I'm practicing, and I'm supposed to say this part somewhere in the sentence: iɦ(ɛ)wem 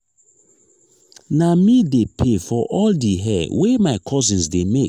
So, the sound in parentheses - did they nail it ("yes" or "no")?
yes